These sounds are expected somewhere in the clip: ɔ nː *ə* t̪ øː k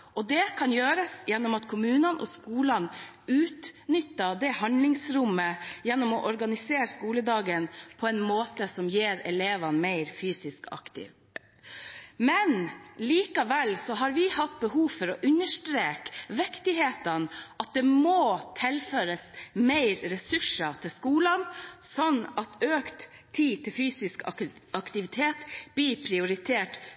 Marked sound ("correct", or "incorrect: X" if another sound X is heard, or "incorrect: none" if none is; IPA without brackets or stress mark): incorrect: ɑ